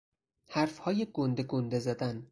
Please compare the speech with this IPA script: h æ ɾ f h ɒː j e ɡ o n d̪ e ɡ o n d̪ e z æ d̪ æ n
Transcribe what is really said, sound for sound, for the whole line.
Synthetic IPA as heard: h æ ɾ f h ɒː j e ɡ o n d̪ e ɡ o n d̪ e z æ d̪ æ n